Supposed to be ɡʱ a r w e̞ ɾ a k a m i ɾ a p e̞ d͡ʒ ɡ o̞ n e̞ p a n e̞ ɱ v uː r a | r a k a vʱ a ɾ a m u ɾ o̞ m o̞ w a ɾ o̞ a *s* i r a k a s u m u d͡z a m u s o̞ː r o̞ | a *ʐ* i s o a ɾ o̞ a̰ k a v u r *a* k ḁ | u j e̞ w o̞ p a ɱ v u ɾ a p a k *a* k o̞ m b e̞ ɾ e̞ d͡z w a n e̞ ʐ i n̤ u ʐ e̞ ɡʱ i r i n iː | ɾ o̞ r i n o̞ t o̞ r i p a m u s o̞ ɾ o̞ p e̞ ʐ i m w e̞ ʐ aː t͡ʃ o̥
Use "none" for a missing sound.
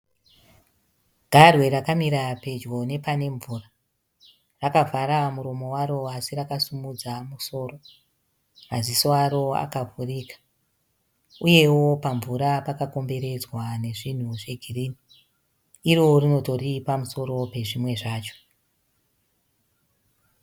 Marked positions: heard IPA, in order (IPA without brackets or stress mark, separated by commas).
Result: s, z, i, a